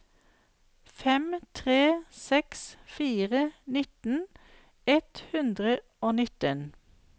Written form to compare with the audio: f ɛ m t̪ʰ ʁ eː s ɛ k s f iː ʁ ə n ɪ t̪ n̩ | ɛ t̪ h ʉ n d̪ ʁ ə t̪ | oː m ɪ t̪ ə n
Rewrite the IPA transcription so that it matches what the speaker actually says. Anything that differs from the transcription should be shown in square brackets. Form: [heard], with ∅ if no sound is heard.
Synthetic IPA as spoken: f ɛ m t̪ʰ ʁ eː s ɛ k s f iː ʁ ə n ɪ t̪ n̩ | ɛ t̪ h ʉ n d̪ ʁ ə [∅] | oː [n] ɪ t̪ ə n